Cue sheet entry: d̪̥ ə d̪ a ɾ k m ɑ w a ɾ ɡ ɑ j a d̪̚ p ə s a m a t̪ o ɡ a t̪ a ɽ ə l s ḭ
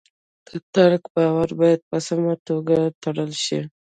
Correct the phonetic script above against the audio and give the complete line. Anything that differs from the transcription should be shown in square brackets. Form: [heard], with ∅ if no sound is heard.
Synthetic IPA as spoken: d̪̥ ə [t̪] a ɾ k [b] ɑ w a ɾ [b] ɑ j a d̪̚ p ə s a m a t̪ o ɡ a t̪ a ɽ ə l [ʃ] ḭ